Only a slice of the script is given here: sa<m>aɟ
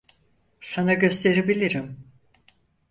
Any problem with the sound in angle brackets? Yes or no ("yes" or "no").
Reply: yes